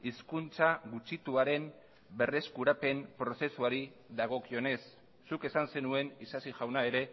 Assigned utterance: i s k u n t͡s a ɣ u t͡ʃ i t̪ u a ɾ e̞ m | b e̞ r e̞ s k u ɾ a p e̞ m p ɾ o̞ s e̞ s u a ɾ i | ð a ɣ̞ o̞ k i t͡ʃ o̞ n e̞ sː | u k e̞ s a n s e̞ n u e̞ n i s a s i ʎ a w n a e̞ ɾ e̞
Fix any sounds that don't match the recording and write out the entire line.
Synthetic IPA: i s k u n t͡s a ɣ u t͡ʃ i t̪ u a ɾ e̞ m | b e̞ r e̞ s k u ɾ a p e̞ m p ɾ o̞ s e̞ s u a ɾ i | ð a ɣ̞ o̞ k i o̞ n e̞ sː | u k e̞ s a n s e̞ n u e̞ n i s a s i ʝ a w n a e̞ ɾ e̞

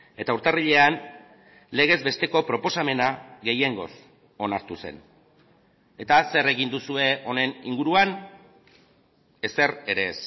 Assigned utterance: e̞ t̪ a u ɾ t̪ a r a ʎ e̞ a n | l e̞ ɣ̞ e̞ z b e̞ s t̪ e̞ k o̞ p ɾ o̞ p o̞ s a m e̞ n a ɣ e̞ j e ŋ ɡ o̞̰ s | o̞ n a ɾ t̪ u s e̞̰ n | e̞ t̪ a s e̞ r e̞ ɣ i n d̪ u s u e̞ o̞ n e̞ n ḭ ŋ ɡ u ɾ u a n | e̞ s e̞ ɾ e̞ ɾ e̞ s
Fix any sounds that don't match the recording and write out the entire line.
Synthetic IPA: e̞ t̪ a u ɾ t̪ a r i ʎ e̞ a n | l e̞ ɣ̞ e̞ z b e̞ s t̪ e̞ k o̞ p ɾ o̞ p o̞ s a m e̞ n a ɣ e̞ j e ŋ ɡ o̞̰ s | o̞ n a ɾ t̪ u s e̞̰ n | e̞ t̪ a s e̞ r e̞ ɣ i n d̪ u s u e̞ o̞ n e̞ n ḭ ŋ ɡ u ɾ u a n | e̞ s e̞ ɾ e̞ ɾ e̞ s

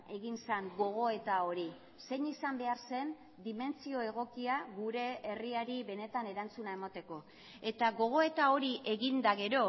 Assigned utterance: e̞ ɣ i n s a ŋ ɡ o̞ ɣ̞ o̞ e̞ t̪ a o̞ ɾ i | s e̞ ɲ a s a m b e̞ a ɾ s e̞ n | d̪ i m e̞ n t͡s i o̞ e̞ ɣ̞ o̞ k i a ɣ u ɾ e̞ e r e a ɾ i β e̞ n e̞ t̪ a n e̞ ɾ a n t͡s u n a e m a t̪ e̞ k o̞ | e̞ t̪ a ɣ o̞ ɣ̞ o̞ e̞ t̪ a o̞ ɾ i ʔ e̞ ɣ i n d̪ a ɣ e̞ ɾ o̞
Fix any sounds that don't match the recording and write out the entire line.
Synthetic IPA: e̞ ɣ i n s a ŋ ɡ o̞ ɣ̞ o̞ e̞ t̪ a o̞ ɾ i | s e̞ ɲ i s a m b e̞ a ɾ s e̞ n | d̪ i m e̞ n t͡s i o̞ e̞ ɣ̞ o̞ k i a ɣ u ɾ e̞ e r i a ɾ i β e̞ n e̞ t̪ a n e̞ ɾ a n t͡s u n a e m a t̪ e̞ k o̞ | e̞ t̪ a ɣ o̞ ɣ̞ o̞ e̞ t̪ a o̞ ɾ i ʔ e̞ ɣ i n d̪ a ɣ e̞ ɾ o̞

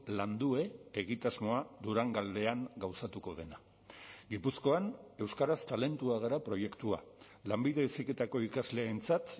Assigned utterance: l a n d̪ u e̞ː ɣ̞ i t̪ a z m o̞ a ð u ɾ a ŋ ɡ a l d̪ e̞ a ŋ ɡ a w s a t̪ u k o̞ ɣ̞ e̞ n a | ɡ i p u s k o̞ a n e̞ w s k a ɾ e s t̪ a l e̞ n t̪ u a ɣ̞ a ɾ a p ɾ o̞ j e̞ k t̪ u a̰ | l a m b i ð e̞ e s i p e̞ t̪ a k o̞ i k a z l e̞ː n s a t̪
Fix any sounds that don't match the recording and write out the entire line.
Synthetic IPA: l a n d̪ u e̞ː ɣ̞ i t̪ a z m o̞ a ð u ɾ a ŋ ɡ a l d̪ e̞ a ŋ ɡ a w s a t̪ u k o̞ ð̞ e̞ n a | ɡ i p u s k o̞ a n e̞ w s k a ɾ a s t̪ a l e̞ n t̪ u a ɣ̞ a ɾ a p ɾ o̞ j e̞ k t̪ u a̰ | l a m b i ð e̞ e s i k e̞ t̪ a k o̞ i k a z l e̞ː n t͡s a t̪

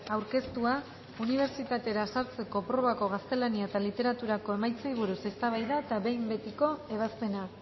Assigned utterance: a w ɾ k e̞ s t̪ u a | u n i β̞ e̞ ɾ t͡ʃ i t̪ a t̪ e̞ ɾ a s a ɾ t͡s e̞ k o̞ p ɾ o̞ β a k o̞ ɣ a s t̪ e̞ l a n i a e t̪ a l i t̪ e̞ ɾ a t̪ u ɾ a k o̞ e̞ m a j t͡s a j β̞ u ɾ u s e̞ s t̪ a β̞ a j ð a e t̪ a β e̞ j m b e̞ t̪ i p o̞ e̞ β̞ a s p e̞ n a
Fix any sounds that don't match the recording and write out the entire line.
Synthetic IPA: a w ɾ k e̞ s t̪ u a | u n i β̞ e̞ ɾ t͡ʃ i t̪ a t̪ e̞ ɾ a s a ɾ t͡s e̞ k o̞ p ɾ o̞ β a k o̞ ɣ a s t̪ e̞ l a n i a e t̪ a l i t̪ e̞ ɾ a t̪ u ɾ a k o̞ e̞ m a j t͡s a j β̞ u ɾ u s e̞ s t̪ a β̞ a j ð a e t̪ a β e̞ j m b e̞ t̪ i k o̞ e̞ β̞ a s p e̞ n a

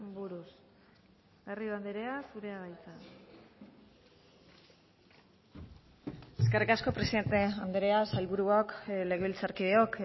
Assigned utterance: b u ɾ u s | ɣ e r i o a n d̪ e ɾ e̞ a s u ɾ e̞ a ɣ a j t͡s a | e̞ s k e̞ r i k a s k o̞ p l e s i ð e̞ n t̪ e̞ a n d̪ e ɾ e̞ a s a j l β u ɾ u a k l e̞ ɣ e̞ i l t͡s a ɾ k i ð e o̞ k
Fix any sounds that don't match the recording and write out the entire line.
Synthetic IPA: b u ɾ u s | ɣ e r i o a n d̪ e ɾ e̞ a s u ɾ e̞ a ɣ a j t͡s a | e̞ s k e̞ r i k a s k o̞ p ɾ e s i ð e̞ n t̪ e̞ a n d̪ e ɾ e̞ a s a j l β u ɾ u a k l e̞ ɣ e̞ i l t͡s a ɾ k i ð e o̞ k

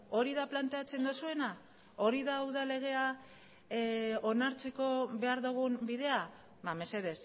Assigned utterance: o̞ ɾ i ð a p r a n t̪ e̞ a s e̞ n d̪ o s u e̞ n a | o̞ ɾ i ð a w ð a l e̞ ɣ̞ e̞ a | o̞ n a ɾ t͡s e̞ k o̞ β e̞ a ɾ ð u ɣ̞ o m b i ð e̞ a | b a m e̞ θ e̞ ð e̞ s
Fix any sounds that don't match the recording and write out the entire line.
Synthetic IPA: o̞ ɾ i ð a p l a n t̪ e̞ a t͡s e̞ n d̪ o s u e̞ n a | o̞ ɾ i ð a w ð a l e̞ ɣ̞ e̞ a | o̞ n a ɾ t͡s e̞ k o̞ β e̞ a ɾ ð u ɣ̞ u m b i ð e̞ a | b a m e̞ s e̞ ð e̞ s

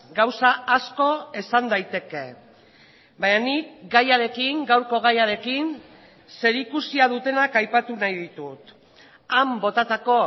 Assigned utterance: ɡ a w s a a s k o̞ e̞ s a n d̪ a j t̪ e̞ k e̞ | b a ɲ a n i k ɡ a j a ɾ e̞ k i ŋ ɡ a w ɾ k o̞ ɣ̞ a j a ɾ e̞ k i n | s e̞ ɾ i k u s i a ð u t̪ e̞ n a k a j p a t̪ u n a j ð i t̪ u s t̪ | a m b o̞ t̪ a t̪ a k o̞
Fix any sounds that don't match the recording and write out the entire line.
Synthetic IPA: ɡ a w s a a s k o̞ e̞ s a n d̪ a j t̪ e̞ k e̞ | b a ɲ a n i k ɡ a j a ɾ e̞ k i ŋ ɡ a w ɾ k o̞ ɣ̞ a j a ɾ e̞ k i n | s e̞ ɾ i k u s i a ð u t̪ e̞ n a k a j p a t̪ u n a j ð i t̪ u t̪ | a m b o̞ t̪ a t̪ a k o̞

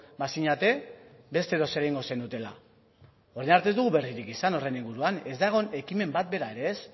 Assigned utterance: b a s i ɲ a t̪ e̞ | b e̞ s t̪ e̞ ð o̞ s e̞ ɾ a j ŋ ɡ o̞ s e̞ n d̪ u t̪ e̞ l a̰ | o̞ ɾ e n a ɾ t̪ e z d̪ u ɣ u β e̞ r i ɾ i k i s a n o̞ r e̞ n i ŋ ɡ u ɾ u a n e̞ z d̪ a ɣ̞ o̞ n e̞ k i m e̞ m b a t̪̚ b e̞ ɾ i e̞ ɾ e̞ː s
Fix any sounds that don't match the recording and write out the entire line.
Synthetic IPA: b a s i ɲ a t̪ e̞ | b e̞ s t̪ e̞ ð o̞ s e̞ ɾ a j ŋ ɡ o̞ s e̞ n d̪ u t̪ e̞ l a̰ | o̞ ɾ e n a ɾ t̪ e z d̪ u ɣ u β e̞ r i ɾ i k i s a n o̞ r e̞ n i ŋ ɡ u ɾ u a n e̞ z d̪ a ɣ̞ o̞ n e̞ k i m e̞ m b a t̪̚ b e̞ ɾ a e̞ ɾ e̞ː s

